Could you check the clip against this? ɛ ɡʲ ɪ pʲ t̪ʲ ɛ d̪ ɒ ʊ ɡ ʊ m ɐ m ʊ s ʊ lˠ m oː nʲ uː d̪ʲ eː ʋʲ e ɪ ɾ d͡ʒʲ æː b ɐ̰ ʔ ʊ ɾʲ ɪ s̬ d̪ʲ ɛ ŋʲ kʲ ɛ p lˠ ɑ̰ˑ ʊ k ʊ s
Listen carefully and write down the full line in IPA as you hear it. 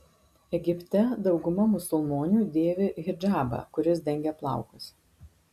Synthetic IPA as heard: ɛ ɡʲ ɪ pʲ t̪ʲ ɛ d̪ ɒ ʊ ɡ ʊ m ɐ m ʊ s ʊ lˠ m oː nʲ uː d̪ʲ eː ʋʲ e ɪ ɾ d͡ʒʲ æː b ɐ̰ k ʊ ɾʲ ɪ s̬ d̪ʲ ɛ ŋʲ ɡʲ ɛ p lˠ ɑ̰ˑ ʊ k ʊ s

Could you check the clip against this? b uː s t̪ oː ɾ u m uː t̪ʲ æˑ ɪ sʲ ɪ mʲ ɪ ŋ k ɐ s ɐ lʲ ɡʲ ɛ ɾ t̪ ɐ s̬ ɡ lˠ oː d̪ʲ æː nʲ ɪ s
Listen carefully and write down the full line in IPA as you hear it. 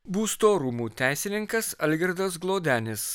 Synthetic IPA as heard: b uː s t̪ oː ɾ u m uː t̪ʲ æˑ ɪ sʲ ɪ nʲ ɪ ŋ k ɐ s ɐ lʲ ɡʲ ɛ ɾ d̪ ɐ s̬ ɡ lˠ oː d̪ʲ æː nʲ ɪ s

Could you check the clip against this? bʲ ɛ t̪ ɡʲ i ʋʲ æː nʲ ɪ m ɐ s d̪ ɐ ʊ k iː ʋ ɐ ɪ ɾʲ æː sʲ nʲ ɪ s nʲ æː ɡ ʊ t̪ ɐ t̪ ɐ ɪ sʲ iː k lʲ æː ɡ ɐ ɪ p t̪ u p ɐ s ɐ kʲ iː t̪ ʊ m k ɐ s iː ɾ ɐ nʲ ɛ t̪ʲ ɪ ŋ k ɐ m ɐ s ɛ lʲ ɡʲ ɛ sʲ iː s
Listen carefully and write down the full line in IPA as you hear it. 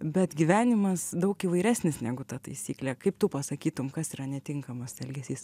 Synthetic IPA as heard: bʲ ɛ t̪ ɡʲ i ʋʲ æː nʲ ɪ m ɐ s d̪ ɐ ʊ k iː ʋ ɐ ɪ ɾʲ æː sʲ nʲ ɪ s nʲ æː ɡ ʊ t̪ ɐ t̪ ɐ ɪ sʲ iː k lʲ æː k ɐ ɪ p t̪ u p ɐ s ɐ kʲ iː t̪ ʊ m k ɐ s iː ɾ ɐ nʲ ɛ t̪ʲ ɪ ŋ k ɐ m ɐ s ɛ lʲ ɡʲ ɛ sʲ iː s

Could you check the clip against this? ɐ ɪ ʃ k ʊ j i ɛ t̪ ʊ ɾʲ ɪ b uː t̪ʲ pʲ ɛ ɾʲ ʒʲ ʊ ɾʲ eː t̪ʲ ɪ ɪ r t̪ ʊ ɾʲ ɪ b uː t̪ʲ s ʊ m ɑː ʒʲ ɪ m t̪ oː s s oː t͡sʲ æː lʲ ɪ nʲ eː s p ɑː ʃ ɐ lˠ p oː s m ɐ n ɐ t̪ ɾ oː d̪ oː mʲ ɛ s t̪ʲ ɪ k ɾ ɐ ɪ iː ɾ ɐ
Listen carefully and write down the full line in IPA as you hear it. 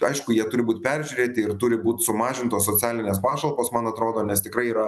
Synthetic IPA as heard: ɐ ɪ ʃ k ʊ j i ɛ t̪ ʊ ɾʲ ɪ b uː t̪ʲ pʲ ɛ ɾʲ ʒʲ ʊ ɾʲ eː t̪ʲ ɪ ɪ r t̪ ʊ ɾʲ ɪ b uː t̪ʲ s ʊ m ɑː ʒʲ ɪ n t̪ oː s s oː t͡sʲ æː lʲ ɪ nʲ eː s p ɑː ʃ ɐ lˠ p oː s m ɐ n ɐ t̪ ɾ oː d̪ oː nʲ ɛ s t̪ʲ ɪ k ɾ ɐ ɪ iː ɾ ɐ

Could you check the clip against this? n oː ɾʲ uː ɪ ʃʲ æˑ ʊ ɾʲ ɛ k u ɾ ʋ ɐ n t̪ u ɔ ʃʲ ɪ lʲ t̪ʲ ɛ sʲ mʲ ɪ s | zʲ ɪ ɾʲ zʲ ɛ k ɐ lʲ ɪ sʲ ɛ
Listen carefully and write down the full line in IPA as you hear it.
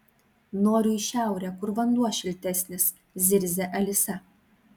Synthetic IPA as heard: n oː ɾʲ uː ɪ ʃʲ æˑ ʊ ɾʲ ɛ k ʊ ɾ ʋ ɐ n d̪ u ɔ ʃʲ ɪ lʲ t̪ʲ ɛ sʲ nʲ ɪ s | zʲ ɪ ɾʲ zʲ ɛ ʔ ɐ lʲ ɪ sʲ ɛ

